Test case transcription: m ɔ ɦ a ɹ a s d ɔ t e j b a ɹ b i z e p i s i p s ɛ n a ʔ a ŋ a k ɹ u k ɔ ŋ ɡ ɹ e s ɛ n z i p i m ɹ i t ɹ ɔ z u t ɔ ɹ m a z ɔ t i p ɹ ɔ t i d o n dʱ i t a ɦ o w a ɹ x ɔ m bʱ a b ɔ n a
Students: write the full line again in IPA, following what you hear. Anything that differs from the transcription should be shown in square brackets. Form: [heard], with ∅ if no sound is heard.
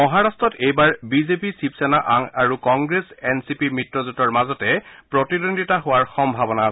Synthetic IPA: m ɔ ɦ a ɹ a s [t] ɔ t e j b a ɹ b i z e p i s i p s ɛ n a ʔ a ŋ a [∅] ɹ u k ɔ ŋ ɡ ɹ e s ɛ n [s] i p i m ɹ i t ɹ ɔ z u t ɔ ɹ m a z ɔ t [ɛ] p ɹ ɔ t i d o n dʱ i t a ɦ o w a ɹ x ɔ m bʱ a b ɔ n a